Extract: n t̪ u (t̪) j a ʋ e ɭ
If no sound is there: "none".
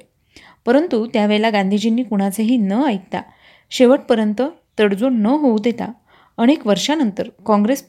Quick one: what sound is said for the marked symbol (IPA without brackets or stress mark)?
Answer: t̪